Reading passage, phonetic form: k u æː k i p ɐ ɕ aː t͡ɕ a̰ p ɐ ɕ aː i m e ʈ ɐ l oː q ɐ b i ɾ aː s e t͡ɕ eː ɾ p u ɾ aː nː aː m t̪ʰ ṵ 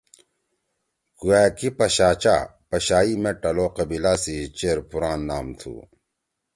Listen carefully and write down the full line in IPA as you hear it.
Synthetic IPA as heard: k u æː k i p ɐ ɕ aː t͡ɕ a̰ p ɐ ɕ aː i m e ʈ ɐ l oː q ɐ b i l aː s i t͡ɕ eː ɾ p u ɾ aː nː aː m t̪ʰ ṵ